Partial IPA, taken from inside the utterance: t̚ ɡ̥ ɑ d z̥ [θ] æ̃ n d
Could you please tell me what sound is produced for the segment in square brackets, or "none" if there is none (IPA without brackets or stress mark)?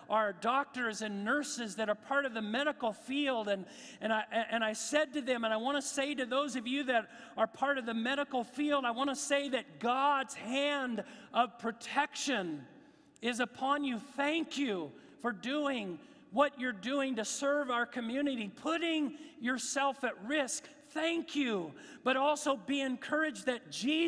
h